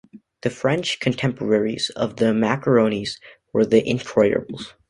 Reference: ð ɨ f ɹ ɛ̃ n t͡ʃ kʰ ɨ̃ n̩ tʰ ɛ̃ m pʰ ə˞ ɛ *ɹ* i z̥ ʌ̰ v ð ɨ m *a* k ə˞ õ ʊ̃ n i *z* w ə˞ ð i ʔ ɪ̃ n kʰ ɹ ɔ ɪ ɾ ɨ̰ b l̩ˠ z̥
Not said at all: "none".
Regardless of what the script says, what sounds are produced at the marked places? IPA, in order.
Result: ɹ, æ, z

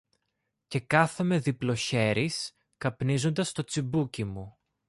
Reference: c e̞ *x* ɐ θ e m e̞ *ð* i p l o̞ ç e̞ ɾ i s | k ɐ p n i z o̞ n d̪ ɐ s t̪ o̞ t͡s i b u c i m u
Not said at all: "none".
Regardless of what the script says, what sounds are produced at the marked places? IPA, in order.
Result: k, ð

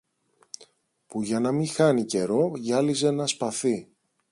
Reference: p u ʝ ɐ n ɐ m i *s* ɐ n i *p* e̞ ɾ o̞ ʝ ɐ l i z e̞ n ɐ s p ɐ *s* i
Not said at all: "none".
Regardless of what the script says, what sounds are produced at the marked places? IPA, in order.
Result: x, c, θ

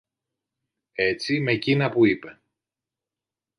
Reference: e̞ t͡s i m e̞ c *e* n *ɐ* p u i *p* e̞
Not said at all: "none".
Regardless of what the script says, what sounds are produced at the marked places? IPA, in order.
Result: i, ɐ, p

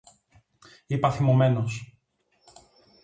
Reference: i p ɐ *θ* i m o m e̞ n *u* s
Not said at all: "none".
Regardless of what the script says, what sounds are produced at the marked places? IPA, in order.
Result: θ, o

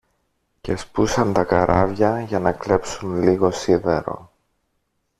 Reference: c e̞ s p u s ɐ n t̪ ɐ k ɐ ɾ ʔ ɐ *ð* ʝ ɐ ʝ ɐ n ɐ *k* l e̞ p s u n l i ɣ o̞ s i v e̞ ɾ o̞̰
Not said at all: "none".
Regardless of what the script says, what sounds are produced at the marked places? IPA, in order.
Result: v, k

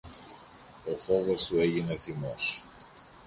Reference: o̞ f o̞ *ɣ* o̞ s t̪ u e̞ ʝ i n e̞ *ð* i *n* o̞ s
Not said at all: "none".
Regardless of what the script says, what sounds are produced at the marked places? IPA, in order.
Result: v, θ, m

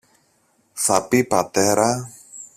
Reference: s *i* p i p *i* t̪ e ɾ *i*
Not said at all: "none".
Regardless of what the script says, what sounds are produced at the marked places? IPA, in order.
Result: a, a, a

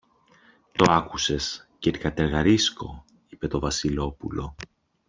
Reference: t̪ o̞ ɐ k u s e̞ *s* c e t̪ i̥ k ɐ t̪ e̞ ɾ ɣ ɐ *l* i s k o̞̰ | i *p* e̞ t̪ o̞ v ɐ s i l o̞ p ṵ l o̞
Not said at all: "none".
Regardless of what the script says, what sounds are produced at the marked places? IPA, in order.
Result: s, ɾ, p

